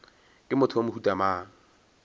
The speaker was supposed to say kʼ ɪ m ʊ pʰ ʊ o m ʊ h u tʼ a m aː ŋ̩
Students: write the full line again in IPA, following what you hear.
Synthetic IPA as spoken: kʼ ɪ m ʊ tʰ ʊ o m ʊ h u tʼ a m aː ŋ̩